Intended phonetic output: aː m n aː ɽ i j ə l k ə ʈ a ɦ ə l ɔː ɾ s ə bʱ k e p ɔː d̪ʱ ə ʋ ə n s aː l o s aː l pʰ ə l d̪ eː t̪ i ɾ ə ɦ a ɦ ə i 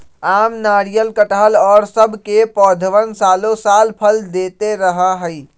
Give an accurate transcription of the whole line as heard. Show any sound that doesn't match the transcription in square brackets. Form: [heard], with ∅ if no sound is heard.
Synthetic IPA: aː m n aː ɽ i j ə l k ə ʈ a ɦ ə l ɔː ɾ s ə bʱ k e p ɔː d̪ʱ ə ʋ ə n s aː l o s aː l pʰ ə l d̪ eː t̪ [e] ɾ ə ɦ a ɦ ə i